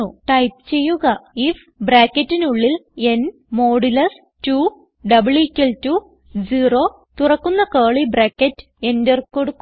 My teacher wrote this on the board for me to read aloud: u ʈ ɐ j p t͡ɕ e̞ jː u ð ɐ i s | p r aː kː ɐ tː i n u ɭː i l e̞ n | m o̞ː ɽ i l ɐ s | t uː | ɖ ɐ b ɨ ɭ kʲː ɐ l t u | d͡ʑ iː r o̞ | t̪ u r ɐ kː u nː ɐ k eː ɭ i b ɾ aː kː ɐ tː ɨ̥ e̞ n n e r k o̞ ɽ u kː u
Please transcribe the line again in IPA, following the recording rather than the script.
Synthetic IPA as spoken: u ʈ ɐ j p t͡ɕ e̞ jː u ɣ ɐ i f | b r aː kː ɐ tː i n u ɭː i l e̞ n | m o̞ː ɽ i l ɐ s | t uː | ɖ ɐ b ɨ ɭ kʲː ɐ l t u | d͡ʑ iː r o̞ | t̪ u r ɐ kː u nː ɐ k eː ɭ i b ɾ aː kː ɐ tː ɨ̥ e̞ n d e r k o̞ ɽ u kː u